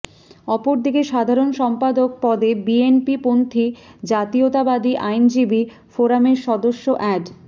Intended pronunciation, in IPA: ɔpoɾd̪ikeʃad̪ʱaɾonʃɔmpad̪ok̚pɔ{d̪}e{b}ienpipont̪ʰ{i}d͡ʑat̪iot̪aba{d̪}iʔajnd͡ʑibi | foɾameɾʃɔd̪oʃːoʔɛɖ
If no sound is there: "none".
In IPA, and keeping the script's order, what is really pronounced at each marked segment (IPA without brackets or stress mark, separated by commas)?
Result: d̪, b, i, d̪